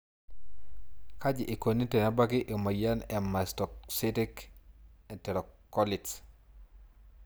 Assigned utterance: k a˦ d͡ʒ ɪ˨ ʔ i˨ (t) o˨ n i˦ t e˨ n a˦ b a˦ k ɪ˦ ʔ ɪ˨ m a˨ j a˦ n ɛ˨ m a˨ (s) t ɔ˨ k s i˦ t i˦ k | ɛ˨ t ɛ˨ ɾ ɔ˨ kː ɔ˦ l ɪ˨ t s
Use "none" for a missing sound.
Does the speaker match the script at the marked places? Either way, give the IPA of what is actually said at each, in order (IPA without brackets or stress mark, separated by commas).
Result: k, s